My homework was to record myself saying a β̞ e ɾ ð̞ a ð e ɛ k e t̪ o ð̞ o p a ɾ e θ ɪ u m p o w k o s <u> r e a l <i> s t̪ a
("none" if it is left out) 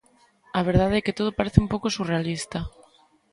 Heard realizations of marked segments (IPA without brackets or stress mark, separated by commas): u, i